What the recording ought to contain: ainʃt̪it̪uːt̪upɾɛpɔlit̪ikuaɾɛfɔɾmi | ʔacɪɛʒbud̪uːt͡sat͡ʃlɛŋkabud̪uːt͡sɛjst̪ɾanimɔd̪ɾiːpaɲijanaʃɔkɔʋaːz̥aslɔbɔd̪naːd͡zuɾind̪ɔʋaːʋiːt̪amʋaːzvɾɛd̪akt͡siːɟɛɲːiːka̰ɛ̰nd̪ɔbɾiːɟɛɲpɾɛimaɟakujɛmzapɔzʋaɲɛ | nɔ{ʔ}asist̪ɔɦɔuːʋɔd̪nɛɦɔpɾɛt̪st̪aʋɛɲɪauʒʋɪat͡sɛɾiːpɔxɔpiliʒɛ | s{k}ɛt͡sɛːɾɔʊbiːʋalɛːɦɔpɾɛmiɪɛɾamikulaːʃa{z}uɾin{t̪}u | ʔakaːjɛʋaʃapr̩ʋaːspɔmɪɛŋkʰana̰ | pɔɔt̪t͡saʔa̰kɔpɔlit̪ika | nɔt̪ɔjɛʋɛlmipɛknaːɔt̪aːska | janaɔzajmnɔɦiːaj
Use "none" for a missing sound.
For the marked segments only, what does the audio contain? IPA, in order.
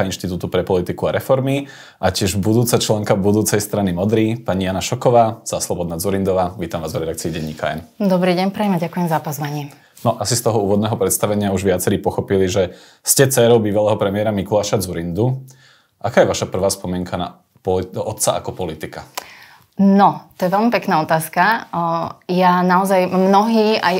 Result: ʔ, c, d͡z, d̪

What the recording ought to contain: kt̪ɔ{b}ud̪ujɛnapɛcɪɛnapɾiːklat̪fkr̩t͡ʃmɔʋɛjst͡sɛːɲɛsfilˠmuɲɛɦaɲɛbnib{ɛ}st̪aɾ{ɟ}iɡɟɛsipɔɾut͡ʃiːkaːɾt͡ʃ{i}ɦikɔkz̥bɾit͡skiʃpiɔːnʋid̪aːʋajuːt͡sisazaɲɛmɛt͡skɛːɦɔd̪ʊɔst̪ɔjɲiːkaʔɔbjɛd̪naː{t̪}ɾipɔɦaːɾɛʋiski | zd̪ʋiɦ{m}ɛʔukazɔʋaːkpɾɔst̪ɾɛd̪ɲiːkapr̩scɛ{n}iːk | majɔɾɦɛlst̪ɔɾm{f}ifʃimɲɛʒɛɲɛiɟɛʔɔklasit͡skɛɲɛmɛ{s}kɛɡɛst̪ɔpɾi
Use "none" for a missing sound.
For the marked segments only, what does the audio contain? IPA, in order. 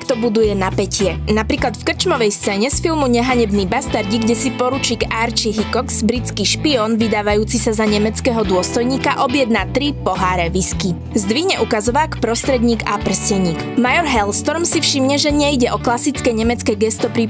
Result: b, a, ɟ, i, t̪, ɲ, ɲ, s, t͡s

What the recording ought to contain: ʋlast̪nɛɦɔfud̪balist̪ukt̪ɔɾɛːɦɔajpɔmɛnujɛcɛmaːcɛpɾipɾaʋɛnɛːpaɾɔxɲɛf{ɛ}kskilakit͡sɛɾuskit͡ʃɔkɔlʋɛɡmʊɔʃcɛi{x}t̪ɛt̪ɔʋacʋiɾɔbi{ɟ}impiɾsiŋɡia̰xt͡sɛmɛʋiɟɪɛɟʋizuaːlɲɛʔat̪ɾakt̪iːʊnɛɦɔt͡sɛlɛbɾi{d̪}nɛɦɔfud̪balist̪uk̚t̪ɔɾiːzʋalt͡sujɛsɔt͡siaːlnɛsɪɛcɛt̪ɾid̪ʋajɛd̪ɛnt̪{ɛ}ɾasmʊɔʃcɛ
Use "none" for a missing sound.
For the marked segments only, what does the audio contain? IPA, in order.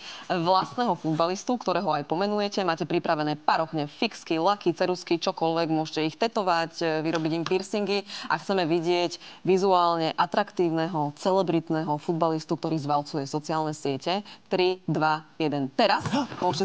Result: i, x, ɟ, t̪, ɛ

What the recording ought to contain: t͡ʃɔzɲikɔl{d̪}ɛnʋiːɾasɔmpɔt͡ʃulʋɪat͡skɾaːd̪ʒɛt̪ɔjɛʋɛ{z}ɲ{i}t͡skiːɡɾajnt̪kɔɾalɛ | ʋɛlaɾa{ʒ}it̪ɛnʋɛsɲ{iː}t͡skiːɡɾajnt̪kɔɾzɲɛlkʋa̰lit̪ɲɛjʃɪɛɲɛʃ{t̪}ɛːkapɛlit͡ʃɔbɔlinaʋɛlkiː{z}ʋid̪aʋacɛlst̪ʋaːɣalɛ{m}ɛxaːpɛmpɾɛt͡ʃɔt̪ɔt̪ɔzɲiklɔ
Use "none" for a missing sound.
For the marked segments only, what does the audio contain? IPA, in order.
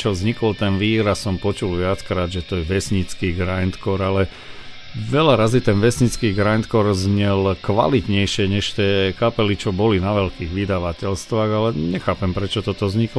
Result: t̪, s, i, z, i, t̪, ɣ, ɲ

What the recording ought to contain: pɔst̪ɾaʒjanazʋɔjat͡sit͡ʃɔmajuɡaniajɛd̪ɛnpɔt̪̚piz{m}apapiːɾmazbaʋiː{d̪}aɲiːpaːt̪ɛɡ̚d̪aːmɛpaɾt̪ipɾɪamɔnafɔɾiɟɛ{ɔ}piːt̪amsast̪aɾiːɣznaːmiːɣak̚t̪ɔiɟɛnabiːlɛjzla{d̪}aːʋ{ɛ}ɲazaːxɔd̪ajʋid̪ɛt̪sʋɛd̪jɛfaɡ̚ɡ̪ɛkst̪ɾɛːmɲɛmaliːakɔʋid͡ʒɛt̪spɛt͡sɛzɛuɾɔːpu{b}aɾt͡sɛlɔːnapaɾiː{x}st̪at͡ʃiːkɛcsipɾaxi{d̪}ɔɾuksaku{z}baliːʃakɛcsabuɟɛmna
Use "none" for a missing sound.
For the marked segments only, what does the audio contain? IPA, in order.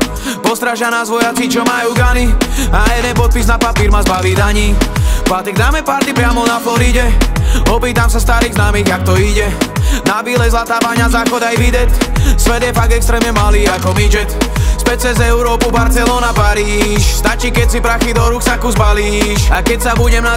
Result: n, d̪, ɔ, t̪, a, b, ʃ, d̪, z

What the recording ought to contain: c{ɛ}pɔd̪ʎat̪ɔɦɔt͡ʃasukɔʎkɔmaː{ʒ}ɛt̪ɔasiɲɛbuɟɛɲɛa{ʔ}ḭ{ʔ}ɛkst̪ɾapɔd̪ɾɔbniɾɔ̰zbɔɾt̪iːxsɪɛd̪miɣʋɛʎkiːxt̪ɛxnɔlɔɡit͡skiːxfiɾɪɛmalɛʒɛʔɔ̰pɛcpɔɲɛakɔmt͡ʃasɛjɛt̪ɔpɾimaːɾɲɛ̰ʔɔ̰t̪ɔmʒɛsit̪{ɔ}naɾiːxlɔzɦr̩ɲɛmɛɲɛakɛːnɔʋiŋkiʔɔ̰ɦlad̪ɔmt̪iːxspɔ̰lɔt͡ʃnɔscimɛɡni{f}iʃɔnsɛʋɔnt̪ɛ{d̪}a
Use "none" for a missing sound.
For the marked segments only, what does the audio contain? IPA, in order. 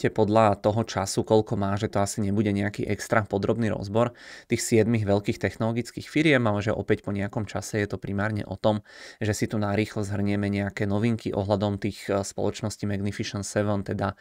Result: ɛ, ʒ, k, ʔ, u, f, d̪

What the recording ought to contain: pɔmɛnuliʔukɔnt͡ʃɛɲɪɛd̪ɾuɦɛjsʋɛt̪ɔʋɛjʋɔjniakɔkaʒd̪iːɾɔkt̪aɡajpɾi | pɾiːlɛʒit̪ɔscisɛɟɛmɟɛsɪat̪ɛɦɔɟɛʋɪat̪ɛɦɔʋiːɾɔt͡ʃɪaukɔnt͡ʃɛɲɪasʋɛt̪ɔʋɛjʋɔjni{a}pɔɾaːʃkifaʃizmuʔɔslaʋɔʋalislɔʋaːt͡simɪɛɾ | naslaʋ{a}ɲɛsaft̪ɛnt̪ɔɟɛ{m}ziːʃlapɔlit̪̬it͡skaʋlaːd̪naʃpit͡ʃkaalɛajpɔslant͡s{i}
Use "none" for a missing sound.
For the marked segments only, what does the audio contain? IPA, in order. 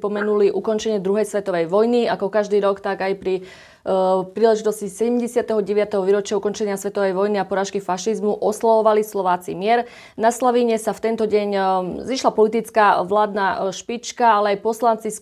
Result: a, i, ɲ, i

